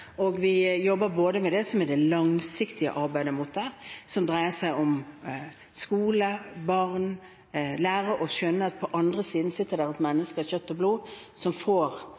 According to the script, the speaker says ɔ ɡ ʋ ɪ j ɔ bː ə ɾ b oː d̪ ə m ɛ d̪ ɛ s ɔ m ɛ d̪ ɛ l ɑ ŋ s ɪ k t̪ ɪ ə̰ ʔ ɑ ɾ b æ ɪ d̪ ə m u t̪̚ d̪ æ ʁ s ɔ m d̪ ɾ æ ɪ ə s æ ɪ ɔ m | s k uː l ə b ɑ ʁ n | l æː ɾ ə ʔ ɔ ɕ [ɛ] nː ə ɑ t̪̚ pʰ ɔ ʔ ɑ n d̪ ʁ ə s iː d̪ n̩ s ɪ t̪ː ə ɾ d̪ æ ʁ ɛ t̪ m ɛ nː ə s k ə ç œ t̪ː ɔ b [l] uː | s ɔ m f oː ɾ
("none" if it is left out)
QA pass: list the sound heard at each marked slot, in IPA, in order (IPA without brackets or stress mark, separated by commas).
œ, l